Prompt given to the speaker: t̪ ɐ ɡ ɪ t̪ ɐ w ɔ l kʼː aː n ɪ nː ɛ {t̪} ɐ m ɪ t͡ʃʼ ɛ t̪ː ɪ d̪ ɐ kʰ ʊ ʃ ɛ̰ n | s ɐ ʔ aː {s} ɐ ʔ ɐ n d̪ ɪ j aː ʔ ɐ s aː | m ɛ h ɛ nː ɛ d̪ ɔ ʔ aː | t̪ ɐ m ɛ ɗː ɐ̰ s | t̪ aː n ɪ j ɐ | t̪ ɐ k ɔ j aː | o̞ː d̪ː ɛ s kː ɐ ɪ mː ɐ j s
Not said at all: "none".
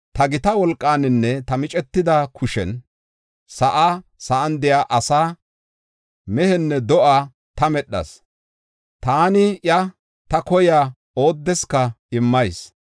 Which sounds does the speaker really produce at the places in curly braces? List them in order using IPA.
t̪, s

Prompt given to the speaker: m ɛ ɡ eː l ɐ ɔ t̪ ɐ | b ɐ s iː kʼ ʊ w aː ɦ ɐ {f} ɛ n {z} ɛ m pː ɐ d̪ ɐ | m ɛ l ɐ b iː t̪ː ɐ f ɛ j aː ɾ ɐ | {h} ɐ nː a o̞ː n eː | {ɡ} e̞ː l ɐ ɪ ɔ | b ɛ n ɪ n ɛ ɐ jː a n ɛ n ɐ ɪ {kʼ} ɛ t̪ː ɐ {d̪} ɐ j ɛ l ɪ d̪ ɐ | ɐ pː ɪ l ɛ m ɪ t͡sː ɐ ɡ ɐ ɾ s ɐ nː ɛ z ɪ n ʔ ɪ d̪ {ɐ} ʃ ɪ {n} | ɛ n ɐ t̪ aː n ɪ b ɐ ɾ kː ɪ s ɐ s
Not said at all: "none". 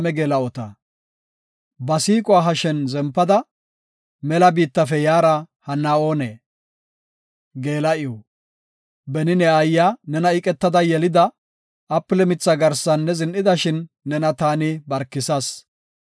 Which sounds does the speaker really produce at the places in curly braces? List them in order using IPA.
ʃ, z, h, ɡ, kʼ, d̪, ɐ, nː

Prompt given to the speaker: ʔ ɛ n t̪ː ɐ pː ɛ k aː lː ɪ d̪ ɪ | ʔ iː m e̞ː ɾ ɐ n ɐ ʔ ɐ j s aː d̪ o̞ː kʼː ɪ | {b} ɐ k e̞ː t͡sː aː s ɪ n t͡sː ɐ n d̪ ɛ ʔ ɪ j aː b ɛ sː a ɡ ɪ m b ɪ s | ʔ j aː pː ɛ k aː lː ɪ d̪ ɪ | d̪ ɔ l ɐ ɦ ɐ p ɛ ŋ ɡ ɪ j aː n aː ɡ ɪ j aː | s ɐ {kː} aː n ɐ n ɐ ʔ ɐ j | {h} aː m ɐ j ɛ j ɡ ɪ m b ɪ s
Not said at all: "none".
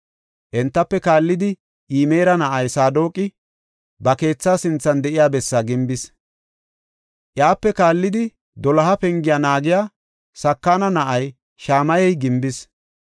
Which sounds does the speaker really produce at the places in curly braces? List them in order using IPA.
b, kː, ʃ

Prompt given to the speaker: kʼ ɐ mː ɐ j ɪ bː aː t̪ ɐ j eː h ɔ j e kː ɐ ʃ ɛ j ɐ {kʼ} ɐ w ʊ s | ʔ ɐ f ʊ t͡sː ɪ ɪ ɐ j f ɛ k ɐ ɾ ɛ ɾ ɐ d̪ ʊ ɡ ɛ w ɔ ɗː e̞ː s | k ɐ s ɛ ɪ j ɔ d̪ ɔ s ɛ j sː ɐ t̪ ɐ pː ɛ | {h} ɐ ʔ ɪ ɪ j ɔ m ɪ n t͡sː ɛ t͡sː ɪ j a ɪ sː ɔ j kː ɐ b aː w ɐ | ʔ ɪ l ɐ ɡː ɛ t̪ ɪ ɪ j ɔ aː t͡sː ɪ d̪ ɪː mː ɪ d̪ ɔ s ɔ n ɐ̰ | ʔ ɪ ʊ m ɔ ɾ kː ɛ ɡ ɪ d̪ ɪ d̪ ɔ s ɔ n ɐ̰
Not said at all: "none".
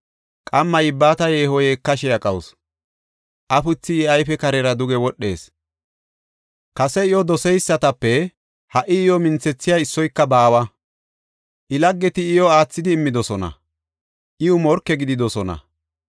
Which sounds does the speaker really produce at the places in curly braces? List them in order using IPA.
kʼ, h

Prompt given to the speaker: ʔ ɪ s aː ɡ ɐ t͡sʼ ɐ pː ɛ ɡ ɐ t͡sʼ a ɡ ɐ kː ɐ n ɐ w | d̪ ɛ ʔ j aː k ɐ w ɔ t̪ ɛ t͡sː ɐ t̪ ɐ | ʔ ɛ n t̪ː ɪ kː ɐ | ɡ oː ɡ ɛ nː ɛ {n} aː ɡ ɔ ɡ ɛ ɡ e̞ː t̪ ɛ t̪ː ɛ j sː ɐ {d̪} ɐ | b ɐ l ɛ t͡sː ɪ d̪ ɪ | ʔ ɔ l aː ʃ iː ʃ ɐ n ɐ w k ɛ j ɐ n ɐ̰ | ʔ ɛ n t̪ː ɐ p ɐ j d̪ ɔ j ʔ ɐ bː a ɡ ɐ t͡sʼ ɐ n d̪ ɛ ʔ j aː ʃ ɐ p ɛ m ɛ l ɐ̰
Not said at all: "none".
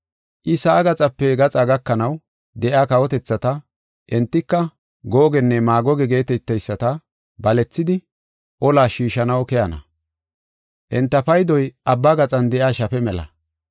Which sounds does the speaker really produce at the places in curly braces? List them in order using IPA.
m, t̪

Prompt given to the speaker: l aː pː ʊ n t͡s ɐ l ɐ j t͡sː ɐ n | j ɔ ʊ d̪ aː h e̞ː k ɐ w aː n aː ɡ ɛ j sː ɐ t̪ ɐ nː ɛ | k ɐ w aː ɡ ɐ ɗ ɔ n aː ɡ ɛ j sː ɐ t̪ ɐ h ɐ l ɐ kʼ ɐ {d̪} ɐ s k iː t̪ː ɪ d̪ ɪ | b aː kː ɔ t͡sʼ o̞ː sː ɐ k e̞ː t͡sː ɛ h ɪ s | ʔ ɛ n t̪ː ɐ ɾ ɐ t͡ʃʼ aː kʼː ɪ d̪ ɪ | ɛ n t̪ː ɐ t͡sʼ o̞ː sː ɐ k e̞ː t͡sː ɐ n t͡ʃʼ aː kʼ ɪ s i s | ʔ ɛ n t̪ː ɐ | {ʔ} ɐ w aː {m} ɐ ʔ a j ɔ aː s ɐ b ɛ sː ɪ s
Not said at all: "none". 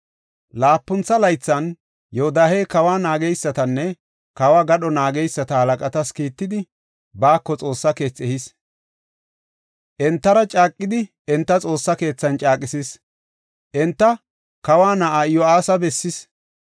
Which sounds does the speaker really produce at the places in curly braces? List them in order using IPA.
t̪, k, n

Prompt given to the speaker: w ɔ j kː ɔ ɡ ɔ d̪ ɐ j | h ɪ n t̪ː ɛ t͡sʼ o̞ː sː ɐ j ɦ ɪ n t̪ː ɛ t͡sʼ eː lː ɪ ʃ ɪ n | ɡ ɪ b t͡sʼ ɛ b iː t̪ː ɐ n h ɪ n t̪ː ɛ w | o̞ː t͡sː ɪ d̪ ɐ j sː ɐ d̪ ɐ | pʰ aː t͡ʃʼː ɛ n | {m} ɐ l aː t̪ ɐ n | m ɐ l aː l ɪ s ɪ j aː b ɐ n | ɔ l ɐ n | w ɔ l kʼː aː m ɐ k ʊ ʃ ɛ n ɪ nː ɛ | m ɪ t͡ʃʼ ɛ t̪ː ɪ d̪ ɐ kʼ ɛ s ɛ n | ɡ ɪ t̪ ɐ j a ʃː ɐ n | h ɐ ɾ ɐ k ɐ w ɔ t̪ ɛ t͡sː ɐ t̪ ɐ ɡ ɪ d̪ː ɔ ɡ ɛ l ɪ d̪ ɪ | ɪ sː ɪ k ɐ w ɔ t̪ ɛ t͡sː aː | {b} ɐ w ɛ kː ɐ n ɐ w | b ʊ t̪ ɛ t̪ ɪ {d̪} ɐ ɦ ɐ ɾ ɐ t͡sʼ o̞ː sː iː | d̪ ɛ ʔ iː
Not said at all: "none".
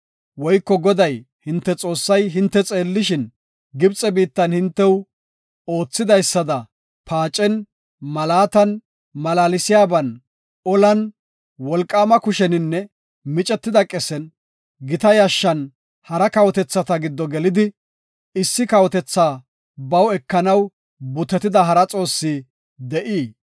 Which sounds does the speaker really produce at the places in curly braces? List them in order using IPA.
m, b, d̪

